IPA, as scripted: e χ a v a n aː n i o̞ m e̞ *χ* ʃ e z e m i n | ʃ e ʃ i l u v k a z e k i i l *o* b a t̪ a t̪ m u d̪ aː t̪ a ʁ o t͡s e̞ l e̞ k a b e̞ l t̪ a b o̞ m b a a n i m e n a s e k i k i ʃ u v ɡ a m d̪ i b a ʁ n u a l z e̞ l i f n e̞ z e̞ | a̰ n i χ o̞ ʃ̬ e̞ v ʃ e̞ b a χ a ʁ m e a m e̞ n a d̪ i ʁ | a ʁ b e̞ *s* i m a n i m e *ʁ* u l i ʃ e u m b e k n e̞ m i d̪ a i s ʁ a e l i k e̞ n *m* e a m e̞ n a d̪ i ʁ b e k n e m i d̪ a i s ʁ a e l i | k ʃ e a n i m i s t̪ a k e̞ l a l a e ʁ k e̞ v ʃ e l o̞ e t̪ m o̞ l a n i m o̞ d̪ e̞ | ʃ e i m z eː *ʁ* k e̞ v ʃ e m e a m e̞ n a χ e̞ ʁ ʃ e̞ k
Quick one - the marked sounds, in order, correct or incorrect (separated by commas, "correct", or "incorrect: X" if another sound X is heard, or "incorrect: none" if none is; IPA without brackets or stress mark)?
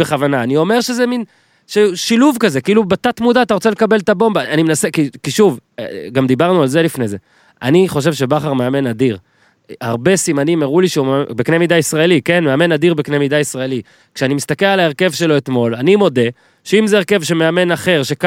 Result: incorrect: ʁ, incorrect: u, correct, correct, correct, correct